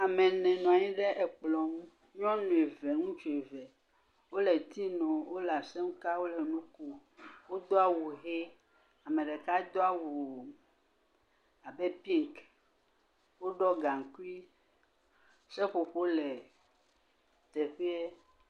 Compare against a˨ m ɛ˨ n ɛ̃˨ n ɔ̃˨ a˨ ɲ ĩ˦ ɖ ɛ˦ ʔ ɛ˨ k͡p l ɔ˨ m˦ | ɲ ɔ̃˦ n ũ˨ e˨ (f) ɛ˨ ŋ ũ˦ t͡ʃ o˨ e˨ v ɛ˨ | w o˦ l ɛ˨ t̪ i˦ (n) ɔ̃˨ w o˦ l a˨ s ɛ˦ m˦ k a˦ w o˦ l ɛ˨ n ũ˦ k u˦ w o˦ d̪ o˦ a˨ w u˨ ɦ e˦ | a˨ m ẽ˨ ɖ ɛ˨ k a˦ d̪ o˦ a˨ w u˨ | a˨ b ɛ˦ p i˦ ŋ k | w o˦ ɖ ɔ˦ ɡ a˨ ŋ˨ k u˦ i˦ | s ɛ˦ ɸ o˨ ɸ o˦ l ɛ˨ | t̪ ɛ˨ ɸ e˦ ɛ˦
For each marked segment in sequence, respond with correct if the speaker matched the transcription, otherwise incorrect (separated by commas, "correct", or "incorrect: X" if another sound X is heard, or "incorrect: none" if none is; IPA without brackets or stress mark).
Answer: incorrect: v, correct